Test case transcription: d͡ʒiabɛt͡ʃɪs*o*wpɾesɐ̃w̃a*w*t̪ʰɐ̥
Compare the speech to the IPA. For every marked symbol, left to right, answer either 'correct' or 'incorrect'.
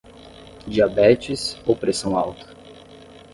correct, correct

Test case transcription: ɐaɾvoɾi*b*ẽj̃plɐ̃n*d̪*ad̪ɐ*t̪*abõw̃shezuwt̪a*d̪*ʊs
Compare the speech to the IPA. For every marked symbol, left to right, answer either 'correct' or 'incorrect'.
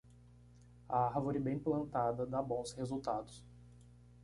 correct, incorrect: t̪, incorrect: d̪, correct

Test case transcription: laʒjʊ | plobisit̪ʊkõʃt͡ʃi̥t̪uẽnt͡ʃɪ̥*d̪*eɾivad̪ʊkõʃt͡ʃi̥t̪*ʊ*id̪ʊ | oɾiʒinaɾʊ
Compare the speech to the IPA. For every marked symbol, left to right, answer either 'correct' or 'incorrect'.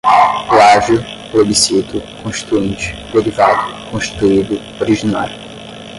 correct, incorrect: u

